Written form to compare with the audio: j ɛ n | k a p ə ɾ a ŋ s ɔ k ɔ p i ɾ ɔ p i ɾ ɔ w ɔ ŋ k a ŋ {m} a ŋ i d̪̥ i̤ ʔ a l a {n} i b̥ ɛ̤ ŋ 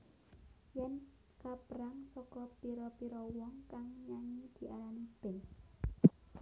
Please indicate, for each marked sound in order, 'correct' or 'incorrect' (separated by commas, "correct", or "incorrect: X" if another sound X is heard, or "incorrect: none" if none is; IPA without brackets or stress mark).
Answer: incorrect: ɲ, correct